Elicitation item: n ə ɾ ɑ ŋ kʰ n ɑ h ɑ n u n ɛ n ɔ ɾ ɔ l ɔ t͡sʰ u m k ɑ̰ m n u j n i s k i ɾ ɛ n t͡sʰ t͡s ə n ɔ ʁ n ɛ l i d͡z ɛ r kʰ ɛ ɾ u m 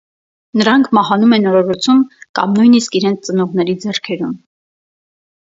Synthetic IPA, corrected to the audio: n ə ɾ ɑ ŋ kʰ m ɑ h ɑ n u m ɛ n ɔ ɾ ɔ ɾ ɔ t͡sʰ u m k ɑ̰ m n u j n i s k i ɾ ɛ n t͡sʰ t͡s ə n ɔ ʁ n ɛ ɾ i d͡z ɛ r kʰ ɛ ɾ u m